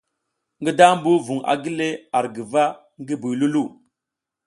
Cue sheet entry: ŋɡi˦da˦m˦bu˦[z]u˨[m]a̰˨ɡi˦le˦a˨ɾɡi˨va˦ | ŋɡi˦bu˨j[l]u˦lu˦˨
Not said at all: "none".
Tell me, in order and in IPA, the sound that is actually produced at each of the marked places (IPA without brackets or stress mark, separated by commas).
v, ŋ, l